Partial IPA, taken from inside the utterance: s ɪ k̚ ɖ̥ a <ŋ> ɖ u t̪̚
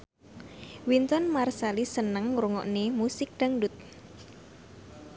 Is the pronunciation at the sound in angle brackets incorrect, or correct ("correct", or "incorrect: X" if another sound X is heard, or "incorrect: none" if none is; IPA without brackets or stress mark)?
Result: correct